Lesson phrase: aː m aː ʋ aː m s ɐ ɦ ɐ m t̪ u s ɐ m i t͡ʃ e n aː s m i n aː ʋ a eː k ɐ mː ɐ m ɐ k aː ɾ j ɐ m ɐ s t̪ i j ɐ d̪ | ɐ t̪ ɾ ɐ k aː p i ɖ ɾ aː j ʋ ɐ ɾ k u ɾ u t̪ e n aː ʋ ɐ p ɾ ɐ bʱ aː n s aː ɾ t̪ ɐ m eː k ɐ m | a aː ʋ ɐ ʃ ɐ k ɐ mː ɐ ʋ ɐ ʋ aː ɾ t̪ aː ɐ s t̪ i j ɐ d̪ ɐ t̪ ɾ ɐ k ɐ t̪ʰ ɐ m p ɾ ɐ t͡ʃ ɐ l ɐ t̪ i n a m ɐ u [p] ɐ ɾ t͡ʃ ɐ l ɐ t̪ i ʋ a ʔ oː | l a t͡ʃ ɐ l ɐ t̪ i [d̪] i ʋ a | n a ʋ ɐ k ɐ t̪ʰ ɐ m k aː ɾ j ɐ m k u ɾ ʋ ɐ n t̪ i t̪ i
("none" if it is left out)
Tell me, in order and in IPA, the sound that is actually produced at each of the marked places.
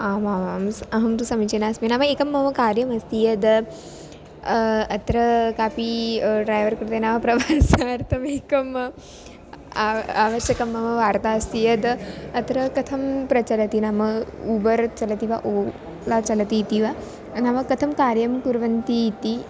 b, t̪

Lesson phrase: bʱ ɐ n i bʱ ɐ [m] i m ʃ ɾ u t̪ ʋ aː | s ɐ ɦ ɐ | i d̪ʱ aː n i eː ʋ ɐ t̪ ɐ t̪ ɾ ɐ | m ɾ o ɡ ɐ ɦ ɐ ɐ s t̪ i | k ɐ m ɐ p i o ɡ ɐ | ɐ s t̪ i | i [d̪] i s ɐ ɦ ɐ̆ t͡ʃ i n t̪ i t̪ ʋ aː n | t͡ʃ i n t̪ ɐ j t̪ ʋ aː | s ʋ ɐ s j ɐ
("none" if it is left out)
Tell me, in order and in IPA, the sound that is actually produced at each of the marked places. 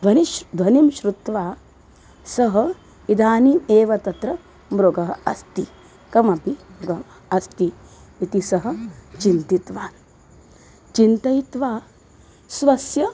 n, t̪

